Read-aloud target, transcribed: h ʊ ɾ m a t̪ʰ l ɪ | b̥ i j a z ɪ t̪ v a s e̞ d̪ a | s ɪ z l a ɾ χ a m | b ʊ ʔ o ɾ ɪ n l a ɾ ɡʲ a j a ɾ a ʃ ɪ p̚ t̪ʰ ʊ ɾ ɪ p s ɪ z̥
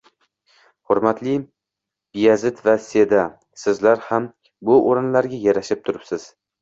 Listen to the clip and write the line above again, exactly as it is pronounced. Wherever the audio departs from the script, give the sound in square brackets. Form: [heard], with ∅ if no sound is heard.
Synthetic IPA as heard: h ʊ ɾ m a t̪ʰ l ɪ | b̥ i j a z ɪ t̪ v a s e̞ d̪ a | s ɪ z l a ɾ [h] a m | b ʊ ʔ o ɾ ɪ n l a ɾ ɡʲ a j a ɾ a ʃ ɪ p̚ t̪ʰ ʊ ɾ ɪ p s ɪ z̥